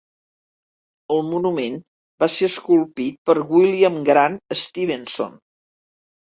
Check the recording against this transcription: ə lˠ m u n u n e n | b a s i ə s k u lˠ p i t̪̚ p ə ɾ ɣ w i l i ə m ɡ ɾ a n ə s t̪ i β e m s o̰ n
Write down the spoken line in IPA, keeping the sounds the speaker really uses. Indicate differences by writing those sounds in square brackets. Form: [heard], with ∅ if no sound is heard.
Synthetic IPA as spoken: ə lˠ m u n u [m] e n | b a s [e] ə s k u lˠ p i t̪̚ p ə ɾ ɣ w i l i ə m ɡ ɾ a n ə s t̪ i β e [n] s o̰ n